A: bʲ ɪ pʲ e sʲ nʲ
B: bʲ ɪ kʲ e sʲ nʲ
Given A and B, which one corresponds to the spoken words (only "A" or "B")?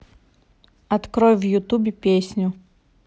A